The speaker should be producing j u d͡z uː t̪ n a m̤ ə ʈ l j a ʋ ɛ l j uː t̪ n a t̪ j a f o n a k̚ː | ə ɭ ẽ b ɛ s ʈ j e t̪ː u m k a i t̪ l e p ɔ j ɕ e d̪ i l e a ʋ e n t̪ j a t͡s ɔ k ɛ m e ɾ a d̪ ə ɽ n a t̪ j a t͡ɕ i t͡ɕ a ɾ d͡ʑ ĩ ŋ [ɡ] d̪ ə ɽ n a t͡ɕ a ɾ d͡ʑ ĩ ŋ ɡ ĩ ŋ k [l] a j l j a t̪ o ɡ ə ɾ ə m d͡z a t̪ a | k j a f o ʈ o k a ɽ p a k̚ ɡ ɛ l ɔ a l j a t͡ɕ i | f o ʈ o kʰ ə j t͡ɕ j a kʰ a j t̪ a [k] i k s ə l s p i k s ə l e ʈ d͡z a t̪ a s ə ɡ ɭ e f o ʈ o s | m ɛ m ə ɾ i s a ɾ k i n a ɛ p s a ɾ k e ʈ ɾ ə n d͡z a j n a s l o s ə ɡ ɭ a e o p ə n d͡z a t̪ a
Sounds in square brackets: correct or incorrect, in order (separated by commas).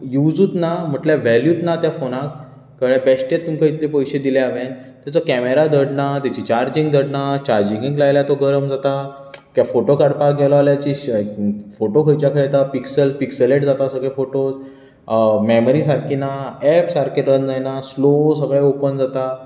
correct, correct, incorrect